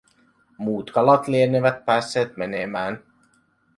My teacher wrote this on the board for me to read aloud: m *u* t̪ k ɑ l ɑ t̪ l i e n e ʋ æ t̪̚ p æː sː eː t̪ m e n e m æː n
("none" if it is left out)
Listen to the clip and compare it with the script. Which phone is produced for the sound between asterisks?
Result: uː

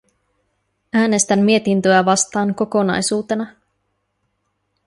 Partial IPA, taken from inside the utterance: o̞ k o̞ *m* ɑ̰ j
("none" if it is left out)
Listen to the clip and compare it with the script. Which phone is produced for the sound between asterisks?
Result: n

